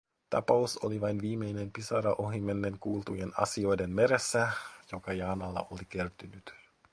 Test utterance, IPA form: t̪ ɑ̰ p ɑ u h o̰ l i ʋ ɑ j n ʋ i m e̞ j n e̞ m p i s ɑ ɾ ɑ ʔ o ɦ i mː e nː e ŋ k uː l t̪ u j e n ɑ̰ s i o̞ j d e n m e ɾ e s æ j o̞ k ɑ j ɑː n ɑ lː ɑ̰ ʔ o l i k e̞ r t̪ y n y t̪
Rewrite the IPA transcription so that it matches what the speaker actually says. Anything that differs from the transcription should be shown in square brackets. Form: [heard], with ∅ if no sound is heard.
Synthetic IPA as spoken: t̪ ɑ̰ p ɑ u [s] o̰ l i ʋ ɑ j n ʋ [iː] m e̞ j n e̞ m p i s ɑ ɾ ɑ ʔ o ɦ i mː e nː e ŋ k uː l t̪ u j e n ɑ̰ s i o̞ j d e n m e ɾ e [sː] æ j o̞ k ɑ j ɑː n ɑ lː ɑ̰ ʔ o l i k e̞ r t̪ y n y t̪